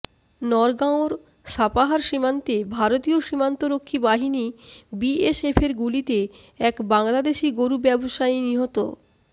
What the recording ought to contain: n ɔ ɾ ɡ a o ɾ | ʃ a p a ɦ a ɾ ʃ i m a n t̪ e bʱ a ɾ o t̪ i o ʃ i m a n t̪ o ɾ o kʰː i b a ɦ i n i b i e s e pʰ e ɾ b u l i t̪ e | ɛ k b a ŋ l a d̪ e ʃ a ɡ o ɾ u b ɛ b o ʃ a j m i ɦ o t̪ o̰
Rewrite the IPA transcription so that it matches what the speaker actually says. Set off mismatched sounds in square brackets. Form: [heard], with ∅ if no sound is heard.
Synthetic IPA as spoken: n ɔ ɾ ɡ a o ɾ | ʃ a p a ɦ a ɾ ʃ i m a n t̪ e bʱ a ɾ o t̪ i o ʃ i m a n t̪ o ɾ o kʰː i b a ɦ i n i b i e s e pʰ e ɾ [ɡ] u l i t̪ e | ɛ k b a ŋ l a d̪ e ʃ [i] ɡ o ɾ u b ɛ b o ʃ a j [n] i ɦ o t̪ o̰